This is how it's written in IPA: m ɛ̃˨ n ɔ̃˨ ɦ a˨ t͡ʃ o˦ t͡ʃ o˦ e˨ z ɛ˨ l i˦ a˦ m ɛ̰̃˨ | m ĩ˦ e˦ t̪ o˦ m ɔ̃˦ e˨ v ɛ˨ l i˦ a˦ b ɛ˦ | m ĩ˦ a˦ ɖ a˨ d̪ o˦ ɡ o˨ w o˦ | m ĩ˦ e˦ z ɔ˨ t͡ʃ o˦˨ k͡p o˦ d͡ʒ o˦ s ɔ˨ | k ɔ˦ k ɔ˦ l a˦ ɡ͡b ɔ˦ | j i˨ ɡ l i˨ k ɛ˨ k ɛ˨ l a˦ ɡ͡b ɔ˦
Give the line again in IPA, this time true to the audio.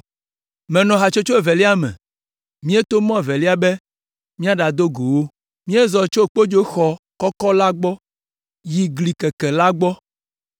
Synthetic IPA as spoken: m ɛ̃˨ n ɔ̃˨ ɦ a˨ t͡ʃ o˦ t͡ʃ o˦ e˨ v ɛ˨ l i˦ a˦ m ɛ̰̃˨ | m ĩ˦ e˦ t̪ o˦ m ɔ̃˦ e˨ v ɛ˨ l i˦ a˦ b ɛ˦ | m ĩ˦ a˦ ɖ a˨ d̪ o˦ ɡ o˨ w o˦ | m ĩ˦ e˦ z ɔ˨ t͡ʃ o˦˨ k͡p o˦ d͡ʒ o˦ x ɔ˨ | k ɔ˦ k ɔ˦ l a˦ ɡ͡b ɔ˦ | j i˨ ɡ l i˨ k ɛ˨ k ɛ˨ l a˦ ɡ͡b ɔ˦

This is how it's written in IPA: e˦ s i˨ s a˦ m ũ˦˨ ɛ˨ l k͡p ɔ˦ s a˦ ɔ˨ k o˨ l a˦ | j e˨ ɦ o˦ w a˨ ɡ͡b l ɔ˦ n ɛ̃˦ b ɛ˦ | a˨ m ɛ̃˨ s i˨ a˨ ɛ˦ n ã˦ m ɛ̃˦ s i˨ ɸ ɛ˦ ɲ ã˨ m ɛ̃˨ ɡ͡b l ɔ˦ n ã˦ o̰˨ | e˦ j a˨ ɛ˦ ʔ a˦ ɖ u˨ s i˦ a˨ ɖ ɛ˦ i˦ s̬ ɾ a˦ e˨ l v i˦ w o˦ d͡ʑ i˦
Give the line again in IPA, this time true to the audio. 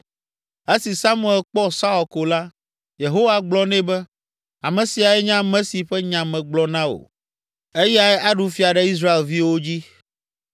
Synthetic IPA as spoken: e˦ s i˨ s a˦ m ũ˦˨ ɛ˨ l k͡p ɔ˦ s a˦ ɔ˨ k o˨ l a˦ | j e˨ ɦ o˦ w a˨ ɡ͡b l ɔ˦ n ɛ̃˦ b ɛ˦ | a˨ m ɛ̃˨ s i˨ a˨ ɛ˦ ɲ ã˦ m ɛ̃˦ s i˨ ɸ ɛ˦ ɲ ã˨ m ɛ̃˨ ɡ͡b l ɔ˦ n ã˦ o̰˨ | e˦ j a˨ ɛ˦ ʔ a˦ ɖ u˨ f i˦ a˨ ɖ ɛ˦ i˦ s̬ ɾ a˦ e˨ l v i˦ w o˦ d͡ʑ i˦

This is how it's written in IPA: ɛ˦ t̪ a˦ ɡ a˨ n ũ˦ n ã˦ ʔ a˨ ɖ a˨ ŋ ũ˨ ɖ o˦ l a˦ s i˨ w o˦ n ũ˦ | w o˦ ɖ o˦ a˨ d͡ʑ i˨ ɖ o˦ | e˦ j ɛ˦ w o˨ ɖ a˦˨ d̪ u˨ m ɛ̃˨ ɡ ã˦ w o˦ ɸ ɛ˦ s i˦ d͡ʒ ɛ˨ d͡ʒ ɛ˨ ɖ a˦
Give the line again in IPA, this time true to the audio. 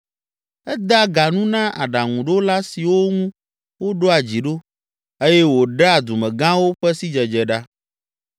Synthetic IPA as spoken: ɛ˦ d̪ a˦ ɡ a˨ n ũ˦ n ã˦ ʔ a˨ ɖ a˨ ŋ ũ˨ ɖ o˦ l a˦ s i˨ w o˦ ŋ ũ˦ | w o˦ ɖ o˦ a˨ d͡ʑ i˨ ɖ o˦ | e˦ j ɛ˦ w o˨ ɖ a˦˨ d̪ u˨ m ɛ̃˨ ɡ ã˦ w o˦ ɸ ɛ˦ s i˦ d͡ʒ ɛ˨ d͡ʒ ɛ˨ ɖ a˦

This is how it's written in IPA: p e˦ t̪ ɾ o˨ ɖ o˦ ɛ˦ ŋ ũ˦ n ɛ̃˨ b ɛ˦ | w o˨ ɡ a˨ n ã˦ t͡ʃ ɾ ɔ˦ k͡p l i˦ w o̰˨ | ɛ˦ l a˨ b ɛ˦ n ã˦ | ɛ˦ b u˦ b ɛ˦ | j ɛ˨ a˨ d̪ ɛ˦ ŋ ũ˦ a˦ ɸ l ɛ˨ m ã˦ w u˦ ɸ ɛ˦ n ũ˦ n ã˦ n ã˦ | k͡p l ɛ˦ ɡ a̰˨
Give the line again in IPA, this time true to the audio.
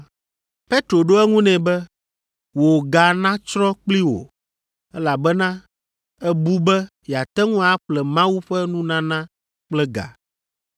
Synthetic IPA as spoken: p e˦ t̪ ɾ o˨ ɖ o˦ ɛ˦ ŋ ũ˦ n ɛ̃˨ b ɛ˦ | w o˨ ɡ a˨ n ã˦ t͡ʃ ɾ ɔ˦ k͡p l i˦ w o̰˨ | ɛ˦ l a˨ b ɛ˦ n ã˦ | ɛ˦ b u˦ b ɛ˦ | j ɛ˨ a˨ t̪ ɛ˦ ŋ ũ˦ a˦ ɸ l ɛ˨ m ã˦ w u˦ ɸ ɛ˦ n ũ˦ n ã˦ n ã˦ | k͡p l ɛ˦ ɡ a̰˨

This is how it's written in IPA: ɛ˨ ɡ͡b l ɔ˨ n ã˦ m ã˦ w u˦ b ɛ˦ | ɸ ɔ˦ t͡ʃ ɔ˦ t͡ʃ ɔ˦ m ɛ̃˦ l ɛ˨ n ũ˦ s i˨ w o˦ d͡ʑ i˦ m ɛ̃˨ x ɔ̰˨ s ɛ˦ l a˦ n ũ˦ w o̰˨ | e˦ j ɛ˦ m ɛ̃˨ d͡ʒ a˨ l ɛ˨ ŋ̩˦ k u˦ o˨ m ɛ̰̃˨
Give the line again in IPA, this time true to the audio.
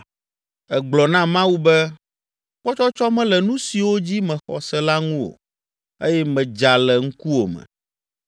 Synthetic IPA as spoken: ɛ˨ ɡ͡b l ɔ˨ n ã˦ m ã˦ w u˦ b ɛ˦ | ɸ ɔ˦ t͡ʃ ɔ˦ t͡ʃ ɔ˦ m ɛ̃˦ l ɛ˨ n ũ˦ s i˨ w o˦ d͡ʑ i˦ m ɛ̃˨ x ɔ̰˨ s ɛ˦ l a˦ ŋ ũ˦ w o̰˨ | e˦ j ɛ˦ m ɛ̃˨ d͡ʒ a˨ l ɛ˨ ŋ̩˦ k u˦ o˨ m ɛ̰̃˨

